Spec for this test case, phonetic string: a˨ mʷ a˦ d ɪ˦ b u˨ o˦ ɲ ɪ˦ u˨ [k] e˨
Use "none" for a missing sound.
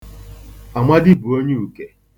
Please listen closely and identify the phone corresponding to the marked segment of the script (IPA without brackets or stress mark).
k